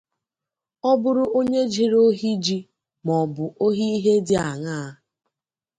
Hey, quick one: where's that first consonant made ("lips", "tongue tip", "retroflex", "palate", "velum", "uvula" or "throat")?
lips